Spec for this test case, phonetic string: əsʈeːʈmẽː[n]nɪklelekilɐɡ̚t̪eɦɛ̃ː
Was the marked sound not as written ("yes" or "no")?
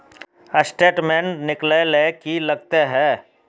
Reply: no